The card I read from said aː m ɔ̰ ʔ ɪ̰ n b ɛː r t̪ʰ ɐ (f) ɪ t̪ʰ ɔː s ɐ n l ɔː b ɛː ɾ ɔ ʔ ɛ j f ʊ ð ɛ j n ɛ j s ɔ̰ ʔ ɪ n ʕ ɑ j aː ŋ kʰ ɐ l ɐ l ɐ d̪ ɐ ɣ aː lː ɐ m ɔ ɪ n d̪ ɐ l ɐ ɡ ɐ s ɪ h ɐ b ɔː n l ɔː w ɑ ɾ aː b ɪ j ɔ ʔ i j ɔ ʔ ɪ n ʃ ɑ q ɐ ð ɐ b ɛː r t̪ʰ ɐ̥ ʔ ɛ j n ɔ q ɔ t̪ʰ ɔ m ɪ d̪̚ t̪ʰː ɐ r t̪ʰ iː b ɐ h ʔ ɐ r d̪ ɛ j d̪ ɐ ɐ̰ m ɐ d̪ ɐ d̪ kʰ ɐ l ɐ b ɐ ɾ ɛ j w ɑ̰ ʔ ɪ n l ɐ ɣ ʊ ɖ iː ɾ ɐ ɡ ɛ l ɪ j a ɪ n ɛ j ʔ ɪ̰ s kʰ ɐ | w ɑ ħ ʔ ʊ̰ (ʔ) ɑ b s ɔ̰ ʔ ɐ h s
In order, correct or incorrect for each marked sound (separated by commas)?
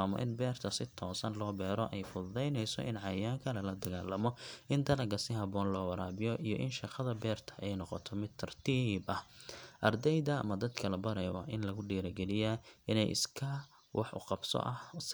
incorrect, incorrect